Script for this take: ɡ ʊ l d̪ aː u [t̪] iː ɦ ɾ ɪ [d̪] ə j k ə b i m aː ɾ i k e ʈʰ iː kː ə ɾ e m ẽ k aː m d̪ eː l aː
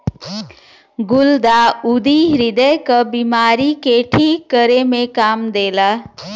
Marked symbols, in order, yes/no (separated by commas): no, yes